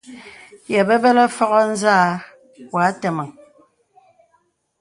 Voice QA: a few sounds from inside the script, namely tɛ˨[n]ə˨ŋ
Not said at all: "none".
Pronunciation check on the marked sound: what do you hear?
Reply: m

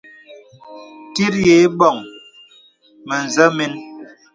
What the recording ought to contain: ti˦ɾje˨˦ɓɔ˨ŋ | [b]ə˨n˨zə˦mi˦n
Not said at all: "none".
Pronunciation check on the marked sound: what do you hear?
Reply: m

